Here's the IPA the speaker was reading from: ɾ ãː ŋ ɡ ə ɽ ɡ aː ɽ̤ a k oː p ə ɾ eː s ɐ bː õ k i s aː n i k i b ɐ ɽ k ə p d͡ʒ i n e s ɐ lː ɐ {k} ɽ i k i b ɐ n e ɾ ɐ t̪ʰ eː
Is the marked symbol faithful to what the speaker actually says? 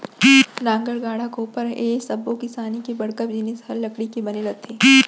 yes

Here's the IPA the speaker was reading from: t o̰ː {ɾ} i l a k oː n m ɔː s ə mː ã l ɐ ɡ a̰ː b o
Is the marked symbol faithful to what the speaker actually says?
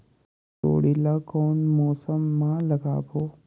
no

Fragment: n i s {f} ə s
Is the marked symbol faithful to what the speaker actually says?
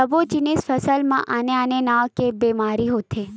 yes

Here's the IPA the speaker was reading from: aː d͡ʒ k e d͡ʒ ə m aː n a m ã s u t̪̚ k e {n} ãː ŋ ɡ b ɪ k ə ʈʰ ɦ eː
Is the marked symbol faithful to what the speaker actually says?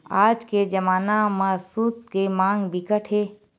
no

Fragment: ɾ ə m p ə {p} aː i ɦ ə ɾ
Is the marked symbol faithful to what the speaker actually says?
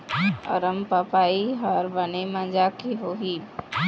yes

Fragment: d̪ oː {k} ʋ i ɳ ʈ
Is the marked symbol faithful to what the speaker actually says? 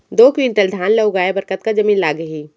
yes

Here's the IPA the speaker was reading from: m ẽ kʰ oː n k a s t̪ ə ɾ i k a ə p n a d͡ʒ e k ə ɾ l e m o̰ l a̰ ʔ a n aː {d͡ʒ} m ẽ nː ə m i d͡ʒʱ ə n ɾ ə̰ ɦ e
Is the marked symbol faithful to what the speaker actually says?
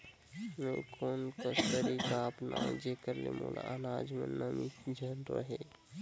yes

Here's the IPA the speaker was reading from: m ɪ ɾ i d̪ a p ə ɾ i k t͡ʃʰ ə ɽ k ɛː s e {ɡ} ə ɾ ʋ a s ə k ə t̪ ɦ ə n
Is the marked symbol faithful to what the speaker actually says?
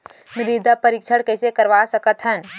no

